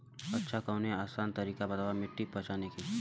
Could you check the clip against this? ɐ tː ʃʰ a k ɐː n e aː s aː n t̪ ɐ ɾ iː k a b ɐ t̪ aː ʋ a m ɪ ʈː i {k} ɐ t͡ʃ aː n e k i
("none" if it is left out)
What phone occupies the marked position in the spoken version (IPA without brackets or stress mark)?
p